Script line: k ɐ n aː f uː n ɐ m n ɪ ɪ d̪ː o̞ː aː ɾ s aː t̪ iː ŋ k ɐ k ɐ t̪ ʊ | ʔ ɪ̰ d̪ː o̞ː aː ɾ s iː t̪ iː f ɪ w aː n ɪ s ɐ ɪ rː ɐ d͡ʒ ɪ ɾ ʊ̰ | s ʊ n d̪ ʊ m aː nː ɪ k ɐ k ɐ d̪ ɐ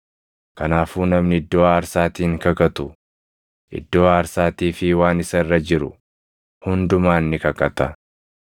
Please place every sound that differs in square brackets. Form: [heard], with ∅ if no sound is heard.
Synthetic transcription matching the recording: k ɐ n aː f uː n ɐ m n ɪ ɪ d̪ː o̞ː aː ɾ s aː t̪ iː ŋ k ɐ k ɐ t̪ ʊ | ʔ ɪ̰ d̪ː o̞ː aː ɾ s [aː] t̪ iː f ɪ w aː n ɪ s ɐ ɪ rː ɐ d͡ʒ ɪ ɾ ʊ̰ | [h] ʊ n d̪ ʊ m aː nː ɪ k ɐ k ɐ [t̪] ɐ